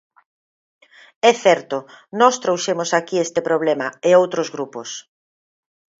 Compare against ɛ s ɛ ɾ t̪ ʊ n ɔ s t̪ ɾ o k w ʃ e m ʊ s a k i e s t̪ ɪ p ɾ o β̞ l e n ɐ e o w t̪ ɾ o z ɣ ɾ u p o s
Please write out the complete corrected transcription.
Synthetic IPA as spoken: ɛ θ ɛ ɾ t̪ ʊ n ɔ s t̪ ɾ o w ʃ e m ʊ s a k i e s t̪ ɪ p ɾ o β̞ l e m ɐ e o w t̪ ɾ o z ɣ ɾ u p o s